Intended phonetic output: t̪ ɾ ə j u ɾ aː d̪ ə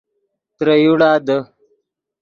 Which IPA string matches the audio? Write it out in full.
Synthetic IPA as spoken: t̪ ɾ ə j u ɽ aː d̪ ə